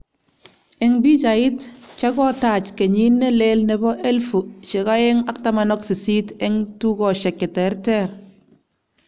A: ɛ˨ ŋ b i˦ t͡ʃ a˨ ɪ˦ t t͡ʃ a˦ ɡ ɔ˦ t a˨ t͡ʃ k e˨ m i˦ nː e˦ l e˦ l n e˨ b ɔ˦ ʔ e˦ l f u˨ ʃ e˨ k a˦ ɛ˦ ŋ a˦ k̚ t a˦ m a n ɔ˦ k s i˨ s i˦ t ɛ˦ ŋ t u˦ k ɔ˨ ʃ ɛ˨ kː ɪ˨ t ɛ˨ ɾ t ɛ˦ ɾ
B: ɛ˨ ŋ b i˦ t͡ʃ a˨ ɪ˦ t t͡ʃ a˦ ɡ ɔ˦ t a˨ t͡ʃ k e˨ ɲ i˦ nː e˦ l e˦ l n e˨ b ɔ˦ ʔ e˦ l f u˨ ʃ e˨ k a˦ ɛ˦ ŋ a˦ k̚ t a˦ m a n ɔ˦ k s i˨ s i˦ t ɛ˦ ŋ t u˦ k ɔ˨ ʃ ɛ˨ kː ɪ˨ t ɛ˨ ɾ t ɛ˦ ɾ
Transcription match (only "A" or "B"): B